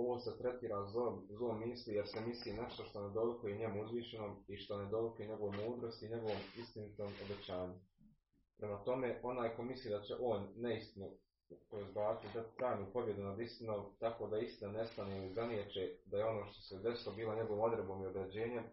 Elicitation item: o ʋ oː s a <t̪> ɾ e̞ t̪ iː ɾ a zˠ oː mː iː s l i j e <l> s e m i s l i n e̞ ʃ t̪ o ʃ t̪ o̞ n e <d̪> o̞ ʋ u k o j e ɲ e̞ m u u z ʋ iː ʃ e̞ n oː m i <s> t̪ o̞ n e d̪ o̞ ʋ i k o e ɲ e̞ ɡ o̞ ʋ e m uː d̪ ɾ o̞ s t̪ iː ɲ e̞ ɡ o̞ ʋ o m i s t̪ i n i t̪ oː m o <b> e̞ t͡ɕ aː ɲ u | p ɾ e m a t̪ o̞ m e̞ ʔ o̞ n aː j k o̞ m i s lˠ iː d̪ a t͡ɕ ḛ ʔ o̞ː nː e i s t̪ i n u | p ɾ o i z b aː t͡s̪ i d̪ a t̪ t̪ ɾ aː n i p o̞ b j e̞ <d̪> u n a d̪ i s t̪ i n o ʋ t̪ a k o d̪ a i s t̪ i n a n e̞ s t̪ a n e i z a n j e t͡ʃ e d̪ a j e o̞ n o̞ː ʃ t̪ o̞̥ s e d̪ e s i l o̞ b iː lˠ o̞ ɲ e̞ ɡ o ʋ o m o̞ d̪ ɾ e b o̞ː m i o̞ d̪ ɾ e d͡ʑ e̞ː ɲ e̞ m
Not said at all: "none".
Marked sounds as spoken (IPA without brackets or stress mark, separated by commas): t̪, ɾ, d̪, ʃ, b, d̪